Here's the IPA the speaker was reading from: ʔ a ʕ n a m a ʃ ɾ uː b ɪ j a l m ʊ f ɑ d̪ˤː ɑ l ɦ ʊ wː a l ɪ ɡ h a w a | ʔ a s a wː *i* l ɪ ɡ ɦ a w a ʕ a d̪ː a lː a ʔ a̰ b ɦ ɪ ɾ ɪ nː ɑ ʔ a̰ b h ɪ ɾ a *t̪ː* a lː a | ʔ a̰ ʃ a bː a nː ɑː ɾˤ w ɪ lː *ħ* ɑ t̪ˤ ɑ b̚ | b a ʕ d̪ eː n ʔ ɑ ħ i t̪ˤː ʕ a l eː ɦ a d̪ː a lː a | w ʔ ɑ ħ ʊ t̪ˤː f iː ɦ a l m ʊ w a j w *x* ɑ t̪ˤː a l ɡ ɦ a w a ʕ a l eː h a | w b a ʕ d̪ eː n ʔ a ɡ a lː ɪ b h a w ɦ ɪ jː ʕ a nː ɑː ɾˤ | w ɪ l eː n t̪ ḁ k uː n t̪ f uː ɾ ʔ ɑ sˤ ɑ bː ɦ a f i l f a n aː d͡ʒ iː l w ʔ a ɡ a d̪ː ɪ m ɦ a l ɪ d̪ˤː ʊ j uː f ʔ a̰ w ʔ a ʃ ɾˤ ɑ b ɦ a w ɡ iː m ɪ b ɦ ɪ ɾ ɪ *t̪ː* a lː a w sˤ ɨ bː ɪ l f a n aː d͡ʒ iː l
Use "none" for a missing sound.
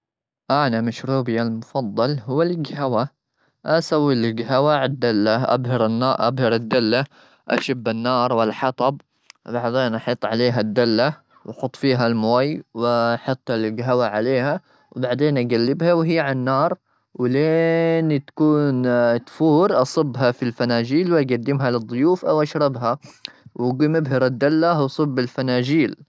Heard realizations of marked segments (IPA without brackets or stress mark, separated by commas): i, d̪ː, ħ, ħ, d̪ː